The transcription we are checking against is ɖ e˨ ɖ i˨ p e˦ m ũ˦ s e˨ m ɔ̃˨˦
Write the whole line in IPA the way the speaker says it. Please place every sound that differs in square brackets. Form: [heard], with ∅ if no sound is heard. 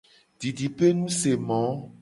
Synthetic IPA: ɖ [i˨] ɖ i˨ p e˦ [n] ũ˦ s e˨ m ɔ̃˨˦